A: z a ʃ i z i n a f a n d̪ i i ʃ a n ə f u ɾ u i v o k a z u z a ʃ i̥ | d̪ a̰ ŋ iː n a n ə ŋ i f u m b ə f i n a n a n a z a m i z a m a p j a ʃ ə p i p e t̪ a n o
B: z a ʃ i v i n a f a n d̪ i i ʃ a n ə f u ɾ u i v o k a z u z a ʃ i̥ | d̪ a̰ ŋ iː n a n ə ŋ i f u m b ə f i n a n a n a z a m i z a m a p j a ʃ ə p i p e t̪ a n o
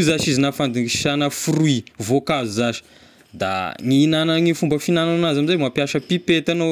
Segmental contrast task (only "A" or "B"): A